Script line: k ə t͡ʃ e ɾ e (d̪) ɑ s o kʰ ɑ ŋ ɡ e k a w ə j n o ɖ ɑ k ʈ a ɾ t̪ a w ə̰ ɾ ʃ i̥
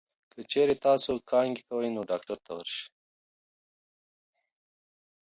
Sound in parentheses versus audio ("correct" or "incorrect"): incorrect